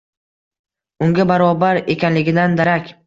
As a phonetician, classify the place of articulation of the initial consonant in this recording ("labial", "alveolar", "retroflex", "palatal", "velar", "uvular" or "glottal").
velar